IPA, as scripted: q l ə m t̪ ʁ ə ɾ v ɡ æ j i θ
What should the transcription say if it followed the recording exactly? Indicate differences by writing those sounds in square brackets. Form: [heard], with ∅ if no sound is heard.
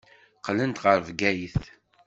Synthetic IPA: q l ə [n] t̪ ʁ ə ɾ v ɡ æ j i θ